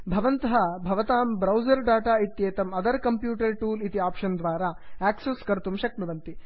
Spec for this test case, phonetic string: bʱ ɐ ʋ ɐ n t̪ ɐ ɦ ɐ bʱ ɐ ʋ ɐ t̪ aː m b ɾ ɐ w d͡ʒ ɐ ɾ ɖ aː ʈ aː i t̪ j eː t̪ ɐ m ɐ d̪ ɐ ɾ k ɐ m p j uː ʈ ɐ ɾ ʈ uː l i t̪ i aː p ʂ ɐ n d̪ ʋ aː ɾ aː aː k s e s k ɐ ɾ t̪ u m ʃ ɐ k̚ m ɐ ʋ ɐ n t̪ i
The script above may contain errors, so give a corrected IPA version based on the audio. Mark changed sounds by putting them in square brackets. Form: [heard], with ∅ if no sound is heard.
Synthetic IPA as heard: bʱ ɐ ʋ ɐ n t̪ ɐ ɦ ɐ bʱ ɐ ʋ ɐ t̪ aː m b ɾ ɐ w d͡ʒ ɐ ɾ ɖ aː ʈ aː i t̪ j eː t̪ ɐ m ɐ d̪ ɐ ɾ k ɐ m p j uː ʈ ɐ ɾ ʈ uː l i t̪ i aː p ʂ ɐ n d̪ ʋ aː ɾ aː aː k s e s k ɐ ɾ t̪ u m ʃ ɐ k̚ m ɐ ʋ ɐ n t̪ i